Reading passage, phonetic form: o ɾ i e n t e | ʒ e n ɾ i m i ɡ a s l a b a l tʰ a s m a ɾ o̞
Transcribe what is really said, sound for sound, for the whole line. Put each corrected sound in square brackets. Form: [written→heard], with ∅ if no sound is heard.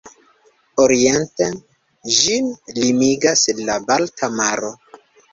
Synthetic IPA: o ɾ i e n t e | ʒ [e→i] n [ɾ→l] i m i ɡ a s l a b a l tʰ a [s→∅] m a ɾ o̞

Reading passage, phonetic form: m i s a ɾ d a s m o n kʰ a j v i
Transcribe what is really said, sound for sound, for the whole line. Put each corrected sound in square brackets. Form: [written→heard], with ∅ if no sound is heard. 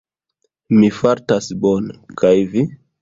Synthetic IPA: m i [s→f] a ɾ [d→t] a s [m→b] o n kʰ a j v i

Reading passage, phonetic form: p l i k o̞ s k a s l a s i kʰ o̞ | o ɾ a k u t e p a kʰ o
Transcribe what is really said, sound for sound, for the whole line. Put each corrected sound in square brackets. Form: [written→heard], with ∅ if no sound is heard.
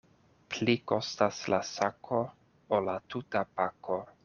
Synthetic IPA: p l i k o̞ s [k→t] a s l a s [i→a] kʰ o̞ | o [ɾ→l] a [k→t] u t [e→a] p a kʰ o

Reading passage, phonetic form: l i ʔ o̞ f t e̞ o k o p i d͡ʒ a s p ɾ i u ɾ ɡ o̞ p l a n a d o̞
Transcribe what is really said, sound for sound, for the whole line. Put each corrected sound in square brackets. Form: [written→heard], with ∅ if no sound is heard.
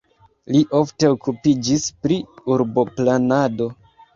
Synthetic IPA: l i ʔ o̞ f t e̞ o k [o→u] p i d͡ʒ [a→i] s p ɾ i u ɾ [ɡ→b] o̞ p l a n a d o̞

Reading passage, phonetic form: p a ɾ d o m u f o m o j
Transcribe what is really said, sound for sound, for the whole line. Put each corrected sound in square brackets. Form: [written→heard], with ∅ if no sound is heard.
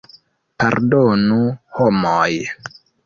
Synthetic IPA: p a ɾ d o [m→n] u [f→h] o m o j

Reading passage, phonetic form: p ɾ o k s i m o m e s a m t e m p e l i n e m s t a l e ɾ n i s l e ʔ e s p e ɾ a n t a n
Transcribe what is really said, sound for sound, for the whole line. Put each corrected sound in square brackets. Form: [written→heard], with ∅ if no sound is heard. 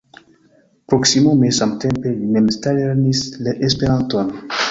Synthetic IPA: p ɾ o k s i m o m e s a m t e m p e l i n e m s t a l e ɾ n i s l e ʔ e s p e ɾ a n t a n

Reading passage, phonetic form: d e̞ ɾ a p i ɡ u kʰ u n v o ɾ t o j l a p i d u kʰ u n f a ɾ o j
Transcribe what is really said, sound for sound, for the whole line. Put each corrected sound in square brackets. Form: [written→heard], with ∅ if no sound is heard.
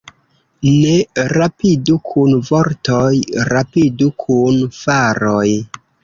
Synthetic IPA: [d→n] e̞ ɾ a p i [ɡ→d] u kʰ u n v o ɾ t o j [l→ɾ] a p i d u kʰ u n f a ɾ o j

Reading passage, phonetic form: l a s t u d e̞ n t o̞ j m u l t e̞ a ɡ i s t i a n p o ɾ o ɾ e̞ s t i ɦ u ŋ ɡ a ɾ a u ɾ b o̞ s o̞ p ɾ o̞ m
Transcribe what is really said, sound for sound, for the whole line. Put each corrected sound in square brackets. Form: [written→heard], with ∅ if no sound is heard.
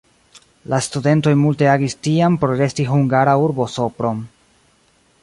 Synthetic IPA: l a s t u d e̞ n t o̞ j m u l t e̞ a ɡ i s t i a [n→m] p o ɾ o ɾ e̞ s t i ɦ u ŋ ɡ a ɾ a u ɾ b o̞ s o̞ p ɾ o̞ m

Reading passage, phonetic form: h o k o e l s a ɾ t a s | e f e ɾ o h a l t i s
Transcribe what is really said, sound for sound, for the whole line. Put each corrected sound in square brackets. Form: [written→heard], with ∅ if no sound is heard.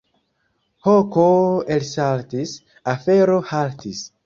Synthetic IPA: h o k o e l s a [ɾ→l] t [a→i] s | [e→a] f e ɾ o h a l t i s

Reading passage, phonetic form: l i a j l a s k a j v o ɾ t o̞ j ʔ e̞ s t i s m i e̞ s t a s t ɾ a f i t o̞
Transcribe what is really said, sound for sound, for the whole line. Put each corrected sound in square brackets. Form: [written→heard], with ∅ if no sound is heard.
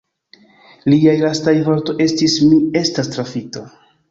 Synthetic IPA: l i a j l a s [k→t] a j v o ɾ t o̞ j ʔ e̞ s t i s m i e̞ s t a s t ɾ a f i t o̞

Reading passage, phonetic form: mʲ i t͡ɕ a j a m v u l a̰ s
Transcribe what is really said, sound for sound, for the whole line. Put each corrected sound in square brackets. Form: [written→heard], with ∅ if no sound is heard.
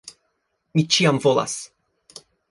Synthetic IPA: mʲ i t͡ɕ [a→i] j a m v [u→ɔ] l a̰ s

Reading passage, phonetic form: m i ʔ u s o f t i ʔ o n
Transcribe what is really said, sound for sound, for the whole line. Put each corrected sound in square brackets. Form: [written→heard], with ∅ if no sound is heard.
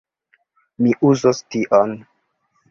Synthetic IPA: m i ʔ u [s→z] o [f→s] t i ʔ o n

